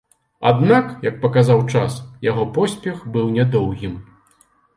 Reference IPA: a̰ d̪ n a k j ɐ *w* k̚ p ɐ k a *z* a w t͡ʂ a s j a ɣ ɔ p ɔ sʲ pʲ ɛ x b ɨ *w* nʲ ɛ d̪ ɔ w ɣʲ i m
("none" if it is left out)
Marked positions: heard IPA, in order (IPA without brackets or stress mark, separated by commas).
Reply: none, z, w